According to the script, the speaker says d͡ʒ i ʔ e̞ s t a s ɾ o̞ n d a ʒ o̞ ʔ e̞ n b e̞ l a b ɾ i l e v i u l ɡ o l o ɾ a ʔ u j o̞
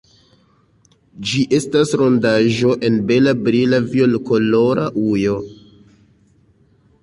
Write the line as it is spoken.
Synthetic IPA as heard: d͡ʒ i ʔ e̞ s t a s ɾ o̞ n d a ʒ o̞ ʔ e̞ n b e̞ l a b ɾ i l a v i o l k o l o ɾ a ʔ u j o̞